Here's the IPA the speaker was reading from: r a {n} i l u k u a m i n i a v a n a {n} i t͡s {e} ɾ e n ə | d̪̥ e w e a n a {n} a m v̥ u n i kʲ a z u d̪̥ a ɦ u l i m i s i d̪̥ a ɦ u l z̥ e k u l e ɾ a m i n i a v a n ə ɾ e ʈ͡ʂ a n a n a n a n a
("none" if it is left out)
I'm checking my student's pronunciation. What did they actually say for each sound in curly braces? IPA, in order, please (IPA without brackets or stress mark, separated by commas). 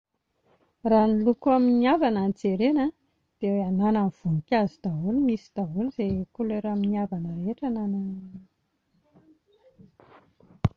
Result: n, n, e, n